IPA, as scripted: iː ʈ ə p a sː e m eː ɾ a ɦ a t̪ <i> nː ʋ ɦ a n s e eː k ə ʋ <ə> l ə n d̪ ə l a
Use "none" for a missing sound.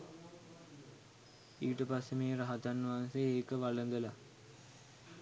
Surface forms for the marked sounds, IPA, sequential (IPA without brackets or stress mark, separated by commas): a, a